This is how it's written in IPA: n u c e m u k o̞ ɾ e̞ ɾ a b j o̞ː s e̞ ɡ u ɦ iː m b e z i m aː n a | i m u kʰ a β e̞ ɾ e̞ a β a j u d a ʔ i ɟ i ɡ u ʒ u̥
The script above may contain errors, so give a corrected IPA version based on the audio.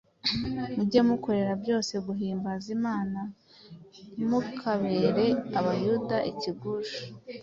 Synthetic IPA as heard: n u ɟ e m u k o̞ ɾ e̞ ɾ a b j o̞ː s e̞ ɡ u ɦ iː m b a z i m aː n a | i m u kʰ a β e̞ ɾ e̞ a β a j u d a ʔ i c i ɡ u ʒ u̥